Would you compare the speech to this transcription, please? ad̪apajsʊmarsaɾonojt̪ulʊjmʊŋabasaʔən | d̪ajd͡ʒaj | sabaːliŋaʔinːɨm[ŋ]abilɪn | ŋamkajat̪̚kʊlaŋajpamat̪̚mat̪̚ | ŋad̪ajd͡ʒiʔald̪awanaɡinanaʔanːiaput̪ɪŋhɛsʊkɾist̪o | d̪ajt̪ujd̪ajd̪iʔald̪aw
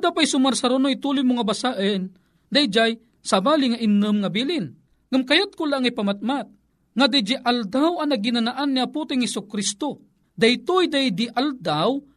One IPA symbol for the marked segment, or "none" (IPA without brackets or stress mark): ŋ